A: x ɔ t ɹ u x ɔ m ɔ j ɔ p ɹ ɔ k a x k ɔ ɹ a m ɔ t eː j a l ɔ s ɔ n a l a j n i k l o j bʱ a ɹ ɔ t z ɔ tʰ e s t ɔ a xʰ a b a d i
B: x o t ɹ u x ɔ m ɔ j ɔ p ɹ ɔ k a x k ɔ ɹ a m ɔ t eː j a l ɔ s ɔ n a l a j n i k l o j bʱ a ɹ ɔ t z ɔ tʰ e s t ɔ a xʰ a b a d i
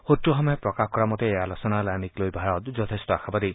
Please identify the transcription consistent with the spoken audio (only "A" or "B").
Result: B